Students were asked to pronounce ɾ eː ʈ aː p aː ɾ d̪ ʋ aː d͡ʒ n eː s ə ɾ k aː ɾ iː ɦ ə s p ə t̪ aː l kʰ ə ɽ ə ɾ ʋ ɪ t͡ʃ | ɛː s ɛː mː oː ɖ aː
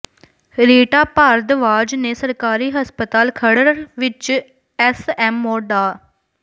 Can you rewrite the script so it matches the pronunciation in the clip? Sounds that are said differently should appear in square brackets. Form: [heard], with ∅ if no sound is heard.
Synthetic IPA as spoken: ɾ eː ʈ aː p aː ɾ d̪ ʋ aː d͡ʒ n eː s ə ɾ k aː ɾ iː ɦ ə s p ə t̪ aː l kʰ ə ɽ ə ɾ ʋ ɪ t͡ʃ | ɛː s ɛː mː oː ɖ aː